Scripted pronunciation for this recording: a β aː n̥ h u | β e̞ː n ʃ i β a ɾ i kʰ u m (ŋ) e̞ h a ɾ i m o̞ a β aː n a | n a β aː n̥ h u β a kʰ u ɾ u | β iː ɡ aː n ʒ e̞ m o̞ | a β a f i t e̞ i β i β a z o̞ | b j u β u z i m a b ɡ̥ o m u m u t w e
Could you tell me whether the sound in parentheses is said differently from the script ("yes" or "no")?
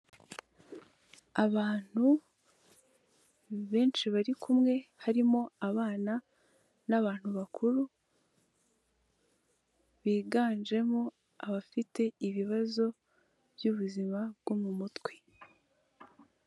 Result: no